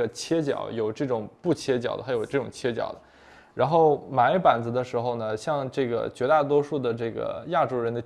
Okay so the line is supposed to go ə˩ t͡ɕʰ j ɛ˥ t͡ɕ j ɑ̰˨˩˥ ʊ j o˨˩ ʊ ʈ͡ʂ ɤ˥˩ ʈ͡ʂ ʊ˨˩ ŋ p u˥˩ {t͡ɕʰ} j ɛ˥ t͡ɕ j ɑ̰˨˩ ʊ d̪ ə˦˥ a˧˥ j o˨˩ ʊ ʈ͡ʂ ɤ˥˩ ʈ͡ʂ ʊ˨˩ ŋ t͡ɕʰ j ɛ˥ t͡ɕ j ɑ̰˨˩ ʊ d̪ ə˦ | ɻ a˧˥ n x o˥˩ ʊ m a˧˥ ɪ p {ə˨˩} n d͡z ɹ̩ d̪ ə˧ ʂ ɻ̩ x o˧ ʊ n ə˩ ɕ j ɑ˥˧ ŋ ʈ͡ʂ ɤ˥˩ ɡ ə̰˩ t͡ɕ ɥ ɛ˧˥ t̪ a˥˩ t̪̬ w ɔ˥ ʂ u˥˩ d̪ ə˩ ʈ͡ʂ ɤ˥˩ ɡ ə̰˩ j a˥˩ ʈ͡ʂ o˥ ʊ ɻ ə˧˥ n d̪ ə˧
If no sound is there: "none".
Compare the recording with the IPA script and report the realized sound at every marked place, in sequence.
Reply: t͡ɕʰ, a˨˩

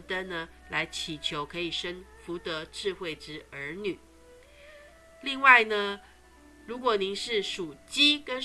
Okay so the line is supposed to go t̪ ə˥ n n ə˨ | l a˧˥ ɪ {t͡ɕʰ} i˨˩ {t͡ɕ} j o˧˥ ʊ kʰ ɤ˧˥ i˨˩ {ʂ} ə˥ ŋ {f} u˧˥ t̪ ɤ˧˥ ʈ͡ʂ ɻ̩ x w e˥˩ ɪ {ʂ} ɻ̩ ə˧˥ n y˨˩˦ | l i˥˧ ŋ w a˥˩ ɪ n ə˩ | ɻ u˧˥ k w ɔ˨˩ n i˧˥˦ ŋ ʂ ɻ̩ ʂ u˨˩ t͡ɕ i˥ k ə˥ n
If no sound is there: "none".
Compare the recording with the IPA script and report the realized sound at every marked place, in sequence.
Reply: t͡ɕʰ, t͡ɕʰ, ʂ, f, ʈ͡ʂ

